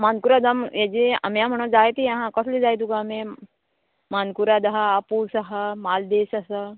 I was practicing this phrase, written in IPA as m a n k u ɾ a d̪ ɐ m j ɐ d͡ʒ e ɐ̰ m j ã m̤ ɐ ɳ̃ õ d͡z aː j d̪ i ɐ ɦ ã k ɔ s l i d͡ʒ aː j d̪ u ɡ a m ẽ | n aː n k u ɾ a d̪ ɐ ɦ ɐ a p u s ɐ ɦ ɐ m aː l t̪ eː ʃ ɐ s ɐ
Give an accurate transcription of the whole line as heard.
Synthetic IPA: m a n k u ɾ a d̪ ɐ m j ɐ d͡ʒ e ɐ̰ m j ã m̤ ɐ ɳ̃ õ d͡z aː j t̪ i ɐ ɦ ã k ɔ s l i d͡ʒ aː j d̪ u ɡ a m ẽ | m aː n k u ɾ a d̪ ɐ ɦ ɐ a p u s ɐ ɦ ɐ m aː l d̪ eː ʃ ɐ s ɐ